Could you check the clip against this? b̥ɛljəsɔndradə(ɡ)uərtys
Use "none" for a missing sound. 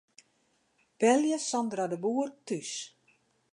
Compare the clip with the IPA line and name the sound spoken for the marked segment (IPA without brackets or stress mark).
b